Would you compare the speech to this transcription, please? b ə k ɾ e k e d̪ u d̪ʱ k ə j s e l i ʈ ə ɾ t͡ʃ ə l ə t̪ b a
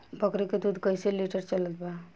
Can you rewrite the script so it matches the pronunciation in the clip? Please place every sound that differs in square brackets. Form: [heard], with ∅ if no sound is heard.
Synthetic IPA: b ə k ɾ e k e d̪ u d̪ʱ k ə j s e l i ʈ ə ɾ t͡ʃ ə l ə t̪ b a